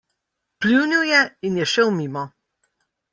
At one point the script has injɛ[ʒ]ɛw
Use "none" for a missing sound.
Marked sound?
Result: ʃ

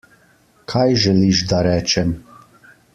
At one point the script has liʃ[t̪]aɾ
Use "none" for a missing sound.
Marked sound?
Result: d̪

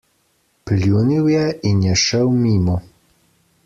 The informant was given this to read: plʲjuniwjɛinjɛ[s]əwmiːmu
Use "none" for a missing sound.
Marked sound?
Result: ʃ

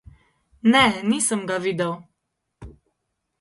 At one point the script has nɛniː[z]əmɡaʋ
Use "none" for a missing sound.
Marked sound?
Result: s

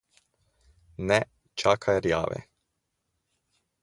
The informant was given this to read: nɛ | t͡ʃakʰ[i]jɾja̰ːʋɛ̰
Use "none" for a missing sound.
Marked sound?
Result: a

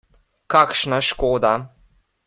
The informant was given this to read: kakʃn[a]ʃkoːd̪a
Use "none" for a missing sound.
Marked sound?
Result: a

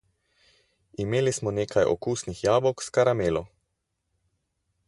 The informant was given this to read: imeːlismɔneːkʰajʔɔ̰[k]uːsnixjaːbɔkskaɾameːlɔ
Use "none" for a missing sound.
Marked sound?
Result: k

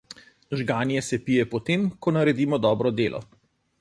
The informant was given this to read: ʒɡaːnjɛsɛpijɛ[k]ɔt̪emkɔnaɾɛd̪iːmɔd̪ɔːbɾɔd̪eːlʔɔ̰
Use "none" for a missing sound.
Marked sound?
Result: p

